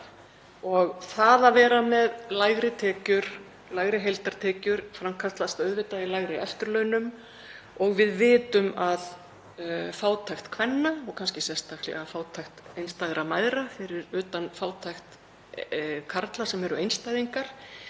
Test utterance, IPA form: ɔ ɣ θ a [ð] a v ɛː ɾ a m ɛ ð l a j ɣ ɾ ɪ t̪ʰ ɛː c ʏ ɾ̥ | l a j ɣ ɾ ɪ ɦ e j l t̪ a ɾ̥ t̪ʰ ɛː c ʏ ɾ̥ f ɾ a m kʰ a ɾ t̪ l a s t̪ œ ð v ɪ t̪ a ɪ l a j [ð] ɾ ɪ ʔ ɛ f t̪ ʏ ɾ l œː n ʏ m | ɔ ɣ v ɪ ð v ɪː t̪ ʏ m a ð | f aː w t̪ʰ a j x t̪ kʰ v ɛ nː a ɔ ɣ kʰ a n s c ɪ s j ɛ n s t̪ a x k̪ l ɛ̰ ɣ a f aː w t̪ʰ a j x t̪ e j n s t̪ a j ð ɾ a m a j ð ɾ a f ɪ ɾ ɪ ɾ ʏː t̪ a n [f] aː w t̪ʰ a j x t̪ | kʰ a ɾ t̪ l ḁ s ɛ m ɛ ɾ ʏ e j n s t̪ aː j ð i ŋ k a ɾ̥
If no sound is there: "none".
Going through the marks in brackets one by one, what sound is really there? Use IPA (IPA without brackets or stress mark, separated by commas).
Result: ð, ɣ, f